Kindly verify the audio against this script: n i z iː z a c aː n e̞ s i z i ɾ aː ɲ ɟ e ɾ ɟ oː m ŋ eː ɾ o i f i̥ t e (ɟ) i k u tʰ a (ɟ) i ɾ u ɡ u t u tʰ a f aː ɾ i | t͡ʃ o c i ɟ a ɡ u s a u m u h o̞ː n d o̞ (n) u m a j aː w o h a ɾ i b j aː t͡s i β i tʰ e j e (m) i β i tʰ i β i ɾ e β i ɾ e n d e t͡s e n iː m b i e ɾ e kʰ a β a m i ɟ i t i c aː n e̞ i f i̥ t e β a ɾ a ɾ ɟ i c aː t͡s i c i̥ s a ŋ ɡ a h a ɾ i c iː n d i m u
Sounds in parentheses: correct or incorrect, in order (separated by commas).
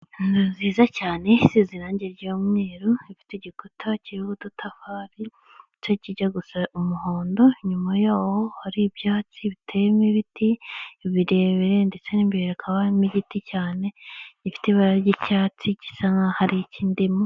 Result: correct, incorrect, incorrect, correct